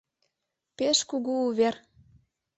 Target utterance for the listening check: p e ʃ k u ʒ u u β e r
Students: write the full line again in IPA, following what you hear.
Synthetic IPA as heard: p e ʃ k u ɣ u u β e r